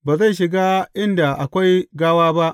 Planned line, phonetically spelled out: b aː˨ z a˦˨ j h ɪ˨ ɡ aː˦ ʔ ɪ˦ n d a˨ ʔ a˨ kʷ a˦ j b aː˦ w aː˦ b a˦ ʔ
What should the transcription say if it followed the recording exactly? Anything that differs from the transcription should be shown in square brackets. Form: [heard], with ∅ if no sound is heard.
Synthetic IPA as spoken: b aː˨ z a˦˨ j [ʃ] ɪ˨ ɡ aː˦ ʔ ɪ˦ n d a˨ ʔ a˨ kʷ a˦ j [ɡ] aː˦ w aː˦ b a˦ ʔ